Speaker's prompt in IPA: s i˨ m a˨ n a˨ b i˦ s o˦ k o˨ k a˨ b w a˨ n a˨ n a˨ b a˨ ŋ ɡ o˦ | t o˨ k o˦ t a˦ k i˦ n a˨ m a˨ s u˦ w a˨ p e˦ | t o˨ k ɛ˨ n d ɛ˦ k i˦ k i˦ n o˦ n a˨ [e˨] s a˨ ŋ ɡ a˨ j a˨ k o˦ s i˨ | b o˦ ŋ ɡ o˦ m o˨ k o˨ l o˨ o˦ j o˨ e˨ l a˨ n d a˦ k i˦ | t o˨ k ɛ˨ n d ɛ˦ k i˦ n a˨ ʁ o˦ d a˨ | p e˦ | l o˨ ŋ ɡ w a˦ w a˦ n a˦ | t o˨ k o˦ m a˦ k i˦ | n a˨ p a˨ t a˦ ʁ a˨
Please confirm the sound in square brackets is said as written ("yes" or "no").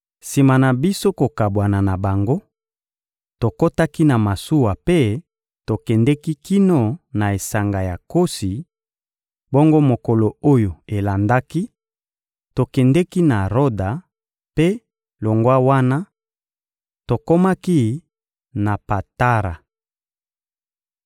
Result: yes